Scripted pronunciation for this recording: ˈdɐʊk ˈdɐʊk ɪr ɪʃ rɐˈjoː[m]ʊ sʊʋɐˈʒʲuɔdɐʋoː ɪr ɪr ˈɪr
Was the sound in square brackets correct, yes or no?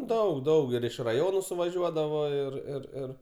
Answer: no